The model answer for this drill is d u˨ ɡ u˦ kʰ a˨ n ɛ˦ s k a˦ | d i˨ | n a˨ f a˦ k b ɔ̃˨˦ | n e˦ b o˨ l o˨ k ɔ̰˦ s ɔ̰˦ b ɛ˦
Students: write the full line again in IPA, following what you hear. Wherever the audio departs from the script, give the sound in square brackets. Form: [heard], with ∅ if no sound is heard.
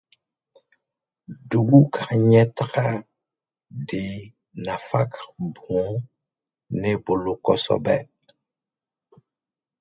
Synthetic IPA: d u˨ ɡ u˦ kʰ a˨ [ɲ] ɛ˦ [t] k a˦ | d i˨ | n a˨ f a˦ k b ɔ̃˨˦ | n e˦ b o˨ l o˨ k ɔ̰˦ s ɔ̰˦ b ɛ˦